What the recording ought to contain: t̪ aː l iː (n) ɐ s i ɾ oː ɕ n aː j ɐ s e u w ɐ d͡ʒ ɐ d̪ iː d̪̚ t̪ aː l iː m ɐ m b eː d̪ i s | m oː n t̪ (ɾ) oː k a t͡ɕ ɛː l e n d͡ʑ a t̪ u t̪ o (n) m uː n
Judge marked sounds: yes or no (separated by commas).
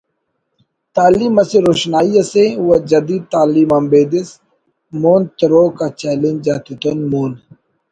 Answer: no, yes, yes